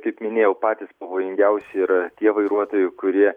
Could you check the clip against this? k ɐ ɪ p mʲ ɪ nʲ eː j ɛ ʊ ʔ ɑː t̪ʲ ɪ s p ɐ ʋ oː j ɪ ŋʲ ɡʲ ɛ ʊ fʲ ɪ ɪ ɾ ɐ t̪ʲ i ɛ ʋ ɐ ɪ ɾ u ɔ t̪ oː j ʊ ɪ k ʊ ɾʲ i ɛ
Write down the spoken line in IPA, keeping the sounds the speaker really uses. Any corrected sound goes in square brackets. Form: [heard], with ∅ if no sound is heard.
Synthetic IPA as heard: k ɐ ɪ p mʲ ɪ nʲ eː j ɛ ʊ [p] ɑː t̪ʲ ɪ s p ɐ ʋ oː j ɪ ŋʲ ɡʲ ɛ ʊ [sʲ] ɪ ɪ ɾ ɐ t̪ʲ i ɛ ʋ ɐ ɪ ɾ u ɔ t̪ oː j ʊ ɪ k ʊ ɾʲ i ɛ

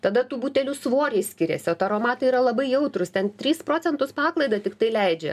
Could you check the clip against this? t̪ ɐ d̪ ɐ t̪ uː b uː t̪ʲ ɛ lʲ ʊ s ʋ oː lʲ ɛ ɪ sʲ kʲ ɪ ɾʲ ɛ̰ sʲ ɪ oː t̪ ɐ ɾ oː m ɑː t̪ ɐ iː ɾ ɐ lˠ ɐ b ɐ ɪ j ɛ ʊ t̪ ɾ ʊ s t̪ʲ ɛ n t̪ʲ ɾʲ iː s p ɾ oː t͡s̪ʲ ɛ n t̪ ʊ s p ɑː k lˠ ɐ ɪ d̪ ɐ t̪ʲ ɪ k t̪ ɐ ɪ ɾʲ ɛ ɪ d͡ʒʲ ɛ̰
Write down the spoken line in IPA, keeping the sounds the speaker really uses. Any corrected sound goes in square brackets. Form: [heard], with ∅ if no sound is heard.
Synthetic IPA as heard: t̪ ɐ d̪ ɐ t̪ uː b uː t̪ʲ ɛ lʲ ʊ s ʋ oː [ɾʲ] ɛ ɪ sʲ kʲ ɪ ɾʲ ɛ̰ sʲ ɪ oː t̪ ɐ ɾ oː m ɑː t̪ ɐ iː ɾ ɐ lˠ ɐ b ɐ ɪ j ɛ ʊ t̪ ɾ ʊ s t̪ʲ ɛ n t̪ʲ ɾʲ iː s p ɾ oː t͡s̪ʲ ɛ n t̪ ʊ s p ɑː k lˠ ɐ ɪ d̪ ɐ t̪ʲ ɪ k t̪ ɐ ɪ [lʲ] ɛ ɪ d͡ʒʲ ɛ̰

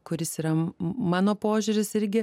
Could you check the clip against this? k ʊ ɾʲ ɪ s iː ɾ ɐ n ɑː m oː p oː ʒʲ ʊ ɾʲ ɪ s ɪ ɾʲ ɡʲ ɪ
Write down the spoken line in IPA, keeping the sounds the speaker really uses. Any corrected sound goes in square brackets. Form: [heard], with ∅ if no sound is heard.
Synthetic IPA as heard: k ʊ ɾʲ ɪ s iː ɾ ɐ [m] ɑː [n] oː p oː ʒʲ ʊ ɾʲ ɪ s ɪ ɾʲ ɡʲ ɪ

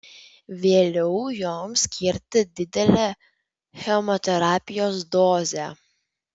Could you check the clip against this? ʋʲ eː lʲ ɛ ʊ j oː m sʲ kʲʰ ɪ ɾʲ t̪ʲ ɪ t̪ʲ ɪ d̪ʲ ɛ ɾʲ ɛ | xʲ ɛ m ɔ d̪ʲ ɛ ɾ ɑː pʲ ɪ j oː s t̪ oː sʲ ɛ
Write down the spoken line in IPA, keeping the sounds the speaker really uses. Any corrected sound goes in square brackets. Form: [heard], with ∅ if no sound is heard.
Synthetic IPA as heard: ʋʲ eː lʲ ɛ ʊ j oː m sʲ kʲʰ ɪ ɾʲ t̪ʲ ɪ [d̪ʲ] ɪ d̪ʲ ɛ [lʲ] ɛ | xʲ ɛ m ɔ [t̪ʲ] ɛ ɾ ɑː pʲ ɪ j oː s [d̪] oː [zʲ] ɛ

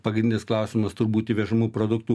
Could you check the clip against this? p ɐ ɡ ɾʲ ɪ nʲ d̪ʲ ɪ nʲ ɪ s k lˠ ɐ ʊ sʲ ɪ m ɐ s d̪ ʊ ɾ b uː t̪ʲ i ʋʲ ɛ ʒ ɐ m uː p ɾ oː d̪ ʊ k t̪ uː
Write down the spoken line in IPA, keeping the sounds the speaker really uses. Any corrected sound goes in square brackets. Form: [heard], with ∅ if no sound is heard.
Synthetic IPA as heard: p ɐ ɡ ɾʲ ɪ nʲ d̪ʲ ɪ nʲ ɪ s k lˠ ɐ ʊ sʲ ɪ m ɐ s [t̪] ʊ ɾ b uː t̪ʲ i ʋʲ ɛ ʒ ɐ m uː p ɾ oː d̪ ʊ k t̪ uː

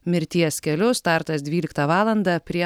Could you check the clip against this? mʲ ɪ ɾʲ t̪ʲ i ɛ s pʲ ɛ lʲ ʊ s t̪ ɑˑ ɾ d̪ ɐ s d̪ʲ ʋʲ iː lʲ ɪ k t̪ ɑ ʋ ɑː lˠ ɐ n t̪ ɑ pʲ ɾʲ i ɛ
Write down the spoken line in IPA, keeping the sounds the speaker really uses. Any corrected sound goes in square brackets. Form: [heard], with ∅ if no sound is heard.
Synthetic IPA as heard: mʲ ɪ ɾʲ t̪ʲ i ɛ s [kʲ] ɛ lʲ ʊ s t̪ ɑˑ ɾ [t̪] ɐ s d̪ʲ ʋʲ iː lʲ ɪ k t̪ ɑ ʋ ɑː lˠ ɐ n [d̪] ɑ pʲ ɾʲ i ɛ

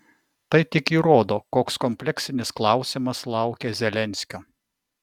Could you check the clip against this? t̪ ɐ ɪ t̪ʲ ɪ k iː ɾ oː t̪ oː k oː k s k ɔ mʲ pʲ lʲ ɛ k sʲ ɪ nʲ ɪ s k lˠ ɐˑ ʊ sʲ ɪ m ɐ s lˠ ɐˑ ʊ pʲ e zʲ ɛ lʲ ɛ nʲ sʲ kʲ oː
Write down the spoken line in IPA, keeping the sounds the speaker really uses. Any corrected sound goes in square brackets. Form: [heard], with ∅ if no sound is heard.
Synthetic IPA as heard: t̪ ɐ ɪ t̪ʲ ɪ k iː ɾ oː [d̪] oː k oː k s k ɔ mʲ pʲ lʲ ɛ k sʲ ɪ nʲ ɪ s k lˠ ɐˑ ʊ sʲ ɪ m ɐ s lˠ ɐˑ ʊ [kʲ] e zʲ ɛ lʲ ɛ nʲ sʲ kʲ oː

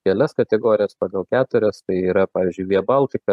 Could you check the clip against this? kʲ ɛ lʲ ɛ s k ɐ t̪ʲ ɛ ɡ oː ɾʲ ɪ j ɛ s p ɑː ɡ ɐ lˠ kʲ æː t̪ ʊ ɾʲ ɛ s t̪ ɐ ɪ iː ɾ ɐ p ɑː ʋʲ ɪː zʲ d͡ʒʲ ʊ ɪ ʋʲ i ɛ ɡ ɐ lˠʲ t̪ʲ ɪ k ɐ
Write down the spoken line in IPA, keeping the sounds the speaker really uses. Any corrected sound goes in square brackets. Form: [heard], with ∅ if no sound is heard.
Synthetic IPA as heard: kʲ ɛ lʲ ɛ s k ɐ t̪ʲ ɛ ɡ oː ɾʲ ɪ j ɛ s p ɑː ɡ ɐ lˠ kʲ æː t̪ ʊ ɾʲ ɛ s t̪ ɐ ɪ iː ɾ ɐ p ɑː ʋʲ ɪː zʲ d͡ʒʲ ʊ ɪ ʋʲ i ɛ [b] ɐ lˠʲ t̪ʲ ɪ k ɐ

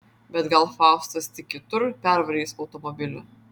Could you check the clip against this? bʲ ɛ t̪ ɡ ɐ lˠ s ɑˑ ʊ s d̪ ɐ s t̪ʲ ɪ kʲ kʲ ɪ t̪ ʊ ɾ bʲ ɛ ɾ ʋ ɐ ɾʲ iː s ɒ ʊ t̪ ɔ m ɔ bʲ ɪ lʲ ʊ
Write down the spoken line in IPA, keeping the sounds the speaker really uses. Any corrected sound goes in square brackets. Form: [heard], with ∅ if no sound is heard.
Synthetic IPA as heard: bʲ ɛ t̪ ɡ ɐ lˠ [f] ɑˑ ʊ s [t̪] ɐ s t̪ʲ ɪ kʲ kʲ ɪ t̪ ʊ ɾ [pʲ] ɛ ɾ ʋ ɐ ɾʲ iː s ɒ ʊ t̪ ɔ m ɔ bʲ ɪ lʲ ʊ

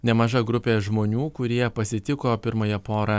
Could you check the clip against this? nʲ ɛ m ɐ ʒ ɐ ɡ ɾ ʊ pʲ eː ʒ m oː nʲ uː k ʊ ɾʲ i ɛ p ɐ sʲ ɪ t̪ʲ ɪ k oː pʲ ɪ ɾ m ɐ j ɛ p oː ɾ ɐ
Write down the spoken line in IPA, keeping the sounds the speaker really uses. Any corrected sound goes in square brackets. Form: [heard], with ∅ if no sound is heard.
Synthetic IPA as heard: nʲ ɛ m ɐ ʒ ɐ ɡ ɾ ʊ pʲ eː ʒ m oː nʲ uː k ʊ ɾʲ i ɛ p ɐ sʲ ɪ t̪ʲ ɪ k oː pʲ ɪ ɾ m ɐ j ɛ p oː ɾ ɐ

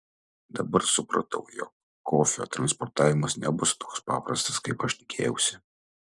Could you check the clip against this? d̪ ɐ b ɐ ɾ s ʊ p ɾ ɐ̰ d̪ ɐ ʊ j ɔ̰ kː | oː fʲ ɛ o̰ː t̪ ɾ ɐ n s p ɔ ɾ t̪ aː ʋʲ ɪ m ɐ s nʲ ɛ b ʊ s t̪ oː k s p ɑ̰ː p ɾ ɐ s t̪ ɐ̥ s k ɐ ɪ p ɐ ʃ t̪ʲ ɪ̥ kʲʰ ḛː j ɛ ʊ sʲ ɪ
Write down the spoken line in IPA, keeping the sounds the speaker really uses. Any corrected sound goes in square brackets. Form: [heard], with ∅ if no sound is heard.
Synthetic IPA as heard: d̪ ɐ b ɐ ɾ s ʊ p ɾ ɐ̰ [t̪] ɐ ʊ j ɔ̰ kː | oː fʲ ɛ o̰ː t̪ ɾ ɐ n s p ɔ ɾ t̪ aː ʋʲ ɪ m ɐ s nʲ ɛ b ʊ s t̪ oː k s p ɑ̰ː p ɾ ɐ s t̪ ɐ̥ s k ɐ ɪ p ɐ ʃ t̪ʲ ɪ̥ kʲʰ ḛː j ɛ ʊ sʲ ɪ

